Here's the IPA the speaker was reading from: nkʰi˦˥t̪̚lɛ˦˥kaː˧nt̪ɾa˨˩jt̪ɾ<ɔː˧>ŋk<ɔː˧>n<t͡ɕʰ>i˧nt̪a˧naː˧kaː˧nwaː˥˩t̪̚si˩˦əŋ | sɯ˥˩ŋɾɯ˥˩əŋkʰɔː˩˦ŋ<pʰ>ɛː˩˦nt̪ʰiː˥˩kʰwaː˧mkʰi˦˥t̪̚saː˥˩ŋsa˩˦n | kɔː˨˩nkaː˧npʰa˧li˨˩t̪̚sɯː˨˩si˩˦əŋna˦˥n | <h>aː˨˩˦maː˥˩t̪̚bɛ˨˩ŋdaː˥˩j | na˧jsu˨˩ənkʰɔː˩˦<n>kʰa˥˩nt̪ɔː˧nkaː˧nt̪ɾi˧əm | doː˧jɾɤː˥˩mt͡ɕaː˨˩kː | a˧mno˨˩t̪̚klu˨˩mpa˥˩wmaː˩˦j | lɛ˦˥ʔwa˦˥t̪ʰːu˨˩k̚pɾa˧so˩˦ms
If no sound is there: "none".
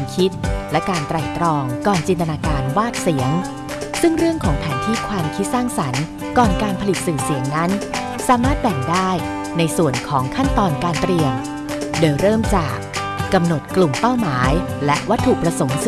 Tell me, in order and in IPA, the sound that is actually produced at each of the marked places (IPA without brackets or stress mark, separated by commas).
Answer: ɔː˧, ɔː˨˩, t͡ɕ, pʰ, s, ŋ